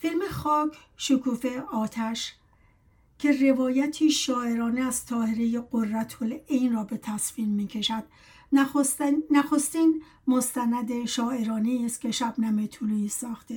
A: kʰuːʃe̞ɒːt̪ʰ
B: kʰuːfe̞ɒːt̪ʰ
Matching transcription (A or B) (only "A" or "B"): B